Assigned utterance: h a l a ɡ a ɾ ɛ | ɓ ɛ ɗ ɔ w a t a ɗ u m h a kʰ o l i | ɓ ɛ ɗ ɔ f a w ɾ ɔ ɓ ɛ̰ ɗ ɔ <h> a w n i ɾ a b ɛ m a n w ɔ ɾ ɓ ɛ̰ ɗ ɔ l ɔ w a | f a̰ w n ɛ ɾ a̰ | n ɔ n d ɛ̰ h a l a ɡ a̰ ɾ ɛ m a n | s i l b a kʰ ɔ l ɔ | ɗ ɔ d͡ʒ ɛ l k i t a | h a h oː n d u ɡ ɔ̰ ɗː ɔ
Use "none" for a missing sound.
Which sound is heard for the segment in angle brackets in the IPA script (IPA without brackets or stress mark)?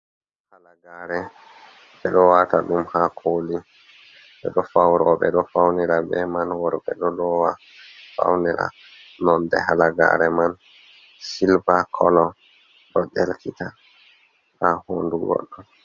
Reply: f